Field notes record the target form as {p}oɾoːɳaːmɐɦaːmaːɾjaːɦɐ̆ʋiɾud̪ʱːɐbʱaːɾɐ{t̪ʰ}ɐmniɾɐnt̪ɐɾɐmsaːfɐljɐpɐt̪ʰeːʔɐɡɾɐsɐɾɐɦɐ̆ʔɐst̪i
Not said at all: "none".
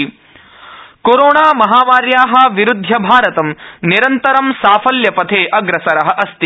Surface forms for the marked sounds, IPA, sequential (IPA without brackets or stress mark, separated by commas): k, t̪